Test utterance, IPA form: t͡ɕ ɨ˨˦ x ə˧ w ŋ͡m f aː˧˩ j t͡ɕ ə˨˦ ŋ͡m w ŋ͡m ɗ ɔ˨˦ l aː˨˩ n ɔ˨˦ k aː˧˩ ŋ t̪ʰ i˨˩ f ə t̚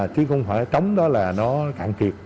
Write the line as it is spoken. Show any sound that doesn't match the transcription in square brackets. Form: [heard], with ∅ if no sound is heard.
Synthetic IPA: t͡ɕ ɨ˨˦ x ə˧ w ŋ͡m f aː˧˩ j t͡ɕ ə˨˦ [∅] w ŋ͡m ɗ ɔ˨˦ l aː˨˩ n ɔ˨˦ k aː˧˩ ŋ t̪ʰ i˨˩ [∅] ə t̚